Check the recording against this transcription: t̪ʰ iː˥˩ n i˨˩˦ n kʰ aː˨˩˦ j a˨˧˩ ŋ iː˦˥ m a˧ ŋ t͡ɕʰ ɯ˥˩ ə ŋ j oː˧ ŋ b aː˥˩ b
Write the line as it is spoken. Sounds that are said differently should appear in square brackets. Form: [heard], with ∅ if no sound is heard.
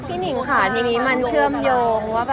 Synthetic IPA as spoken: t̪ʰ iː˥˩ n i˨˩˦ [ŋ] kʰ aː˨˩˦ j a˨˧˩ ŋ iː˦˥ m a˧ [n] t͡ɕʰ ɯ˥˩ ə [m] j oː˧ ŋ [w] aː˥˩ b